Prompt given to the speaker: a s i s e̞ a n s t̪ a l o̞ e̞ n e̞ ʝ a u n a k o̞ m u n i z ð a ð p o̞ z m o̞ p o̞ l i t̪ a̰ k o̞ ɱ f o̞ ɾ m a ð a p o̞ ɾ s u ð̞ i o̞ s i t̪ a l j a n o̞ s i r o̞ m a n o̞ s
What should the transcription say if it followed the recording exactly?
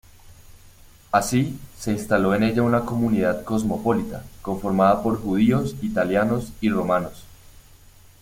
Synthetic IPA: a s i s e̞ i n s t̪ a l o̞ e̞ n e̞ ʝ a u n a k o̞ m u n i ð a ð k o̞ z m o̞ p o̞ l i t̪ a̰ k o̞ ɱ f o̞ ɾ m a ð a p o̞ ɾ x u ð̞ i o̞ s i t̪ a l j a n o̞ s i r o̞ m a n o̞ s

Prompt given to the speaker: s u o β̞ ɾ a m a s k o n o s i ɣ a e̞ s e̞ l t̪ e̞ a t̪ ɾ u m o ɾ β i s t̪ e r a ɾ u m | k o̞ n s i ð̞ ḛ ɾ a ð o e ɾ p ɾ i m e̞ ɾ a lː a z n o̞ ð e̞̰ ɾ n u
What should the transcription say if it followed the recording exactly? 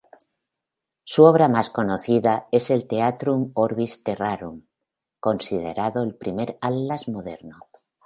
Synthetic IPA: s u o β̞ ɾ a m a s k o n o θ i ð a e̞ s e̞ l t̪ e̞ a t̪ ɾ u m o ɾ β i s t̪ e r a ɾ u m | k o̞ n s i ð̞ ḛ ɾ a ð o e l p ɾ i m e̞ ɾ a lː a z m o̞ ð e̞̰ ɾ n o

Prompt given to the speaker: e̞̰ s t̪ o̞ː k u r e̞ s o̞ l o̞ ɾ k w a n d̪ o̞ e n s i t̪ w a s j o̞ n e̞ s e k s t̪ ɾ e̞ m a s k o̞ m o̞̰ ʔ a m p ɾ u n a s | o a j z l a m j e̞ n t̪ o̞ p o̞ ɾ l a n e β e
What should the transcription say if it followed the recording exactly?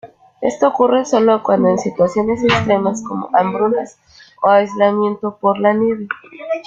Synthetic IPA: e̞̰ s t̪ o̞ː k u r e̞ s o̞ l o̞ k w a n d̪ o̞ e n s i t̪ w a s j o̞ n e̞ s e k s t̪ ɾ e̞ m a s k o̞ m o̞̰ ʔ a m b ɾ u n a s | o a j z l a m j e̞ n t̪ o̞ p o̞ ɾ l a n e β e

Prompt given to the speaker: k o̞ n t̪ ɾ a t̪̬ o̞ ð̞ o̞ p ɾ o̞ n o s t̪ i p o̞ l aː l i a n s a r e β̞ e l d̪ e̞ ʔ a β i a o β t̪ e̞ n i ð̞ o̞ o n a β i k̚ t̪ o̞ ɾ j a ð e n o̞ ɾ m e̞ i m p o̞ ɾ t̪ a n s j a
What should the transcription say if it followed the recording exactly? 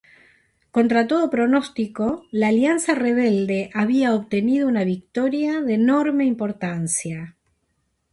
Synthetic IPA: k o̞ n t̪ ɾ a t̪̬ o̞ ð̞ o̞ p ɾ o̞ n o s t̪ i k o̞ l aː l j a n s a r e β̞ e l d̪ e̞ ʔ a β i a o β t̪ e̞ n i ð̞ o̞ u n a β i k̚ t̪ o̞ ɾ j a ð e n o̞ ɾ m e̞ i m p o̞ ɾ t̪ a n s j a

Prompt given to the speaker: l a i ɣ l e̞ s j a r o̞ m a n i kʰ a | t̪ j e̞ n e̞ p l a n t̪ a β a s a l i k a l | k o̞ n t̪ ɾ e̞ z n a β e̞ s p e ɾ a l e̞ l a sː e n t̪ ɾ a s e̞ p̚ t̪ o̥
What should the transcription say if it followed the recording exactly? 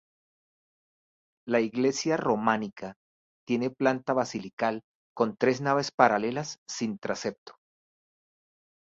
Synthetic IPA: l a i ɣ l e̞ s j a r o̞ m a n i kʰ a | t̪ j e̞ n e̞ p l a n t̪ a β a s i l i k a l | k o̞ n t̪ ɾ e̞ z n a β e̞ s p a ɾ a l e̞ l a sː i n t̪ ɾ a s e̞ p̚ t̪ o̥

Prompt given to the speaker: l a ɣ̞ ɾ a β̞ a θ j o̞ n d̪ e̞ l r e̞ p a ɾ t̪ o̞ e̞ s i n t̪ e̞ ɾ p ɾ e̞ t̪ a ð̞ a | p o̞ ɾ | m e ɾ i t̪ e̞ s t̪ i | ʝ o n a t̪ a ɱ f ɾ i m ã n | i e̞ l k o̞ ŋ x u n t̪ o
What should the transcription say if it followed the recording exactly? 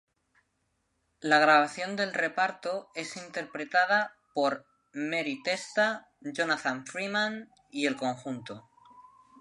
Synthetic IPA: l a ɣ̞ ɾ a β̞ a θ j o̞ n d̪ e̞ l r e̞ p a ɾ t̪ o̞ e̞ s i n t̪ e̞ ɾ p ɾ e̞ t̪ a ð̞ a | p o̞ ɾ | m e ɾ i t̪ e̞ s t̪ a | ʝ o n a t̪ a ɱ f ɾ i m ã n | i e̞ l k o̞ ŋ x u n t̪ o

